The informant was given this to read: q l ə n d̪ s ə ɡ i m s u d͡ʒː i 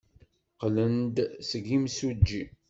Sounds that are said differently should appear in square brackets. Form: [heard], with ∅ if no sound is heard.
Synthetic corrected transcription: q l ə n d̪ s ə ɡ i m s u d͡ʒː i